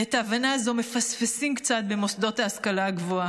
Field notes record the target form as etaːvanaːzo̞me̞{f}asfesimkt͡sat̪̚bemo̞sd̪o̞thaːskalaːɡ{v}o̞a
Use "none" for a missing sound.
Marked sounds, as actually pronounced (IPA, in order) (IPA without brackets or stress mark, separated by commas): f, v